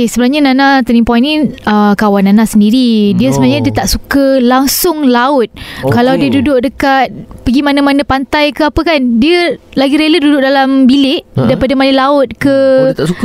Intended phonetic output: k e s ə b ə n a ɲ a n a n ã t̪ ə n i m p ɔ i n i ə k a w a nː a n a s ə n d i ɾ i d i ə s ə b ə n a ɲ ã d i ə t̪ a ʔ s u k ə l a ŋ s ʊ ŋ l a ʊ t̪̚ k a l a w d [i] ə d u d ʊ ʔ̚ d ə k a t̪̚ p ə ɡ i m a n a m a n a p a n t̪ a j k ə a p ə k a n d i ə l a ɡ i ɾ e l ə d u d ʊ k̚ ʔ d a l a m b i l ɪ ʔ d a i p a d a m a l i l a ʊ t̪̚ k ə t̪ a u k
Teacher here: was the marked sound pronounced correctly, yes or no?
yes